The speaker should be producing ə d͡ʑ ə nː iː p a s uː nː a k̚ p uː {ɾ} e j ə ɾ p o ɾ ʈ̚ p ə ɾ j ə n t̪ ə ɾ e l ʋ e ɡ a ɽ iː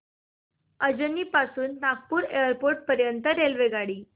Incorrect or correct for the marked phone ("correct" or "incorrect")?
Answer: correct